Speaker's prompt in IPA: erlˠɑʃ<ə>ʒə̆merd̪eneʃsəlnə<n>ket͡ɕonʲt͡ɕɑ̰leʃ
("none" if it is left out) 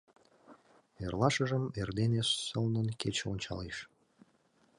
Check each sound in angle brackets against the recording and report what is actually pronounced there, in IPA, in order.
ə, n

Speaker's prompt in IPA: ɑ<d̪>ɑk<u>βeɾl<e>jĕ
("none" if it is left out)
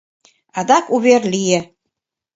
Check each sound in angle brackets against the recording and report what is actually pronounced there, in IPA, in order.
d̪, u, i

